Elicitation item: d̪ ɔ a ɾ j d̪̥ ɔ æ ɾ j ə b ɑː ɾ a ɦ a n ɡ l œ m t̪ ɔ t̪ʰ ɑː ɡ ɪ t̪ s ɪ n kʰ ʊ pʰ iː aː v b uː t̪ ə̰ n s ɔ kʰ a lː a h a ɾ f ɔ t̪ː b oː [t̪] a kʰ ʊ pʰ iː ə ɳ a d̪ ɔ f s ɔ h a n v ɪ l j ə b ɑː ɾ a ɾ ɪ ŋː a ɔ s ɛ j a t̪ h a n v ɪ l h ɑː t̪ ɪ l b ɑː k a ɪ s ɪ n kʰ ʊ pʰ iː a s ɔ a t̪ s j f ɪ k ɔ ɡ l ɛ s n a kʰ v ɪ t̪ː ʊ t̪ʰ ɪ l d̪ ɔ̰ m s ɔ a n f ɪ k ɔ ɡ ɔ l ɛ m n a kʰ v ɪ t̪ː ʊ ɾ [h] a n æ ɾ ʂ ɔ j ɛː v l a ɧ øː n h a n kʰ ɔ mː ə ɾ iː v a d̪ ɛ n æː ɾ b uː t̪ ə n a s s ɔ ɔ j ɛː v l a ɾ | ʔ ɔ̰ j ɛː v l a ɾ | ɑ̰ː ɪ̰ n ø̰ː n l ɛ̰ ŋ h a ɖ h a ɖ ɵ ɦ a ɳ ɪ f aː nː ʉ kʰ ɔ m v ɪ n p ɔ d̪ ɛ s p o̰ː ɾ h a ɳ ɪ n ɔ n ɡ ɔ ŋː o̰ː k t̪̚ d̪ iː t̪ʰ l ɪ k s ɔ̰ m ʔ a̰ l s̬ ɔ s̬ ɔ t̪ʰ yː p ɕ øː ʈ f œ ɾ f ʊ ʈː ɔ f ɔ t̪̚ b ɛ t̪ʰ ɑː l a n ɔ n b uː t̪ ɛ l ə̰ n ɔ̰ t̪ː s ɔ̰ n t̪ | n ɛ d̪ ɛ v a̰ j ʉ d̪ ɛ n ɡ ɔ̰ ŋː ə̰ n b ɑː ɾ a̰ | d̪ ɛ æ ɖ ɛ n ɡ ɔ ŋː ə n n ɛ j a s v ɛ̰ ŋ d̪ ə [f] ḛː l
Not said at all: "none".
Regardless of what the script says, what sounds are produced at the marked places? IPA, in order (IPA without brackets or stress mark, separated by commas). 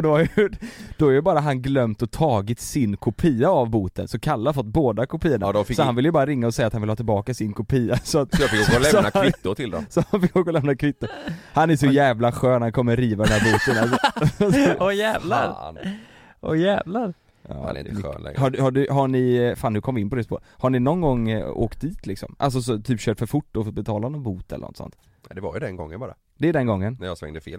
d̪, h, f